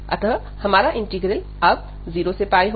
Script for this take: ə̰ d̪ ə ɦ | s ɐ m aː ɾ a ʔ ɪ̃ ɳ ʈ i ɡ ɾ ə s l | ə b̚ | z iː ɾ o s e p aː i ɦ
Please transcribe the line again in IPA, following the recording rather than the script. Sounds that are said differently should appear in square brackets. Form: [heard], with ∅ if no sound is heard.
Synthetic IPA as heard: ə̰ [t̪] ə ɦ | [h] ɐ m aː ɾ a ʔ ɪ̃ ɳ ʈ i ɡ ɾ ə [∅] l | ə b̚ | z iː ɾ o s e p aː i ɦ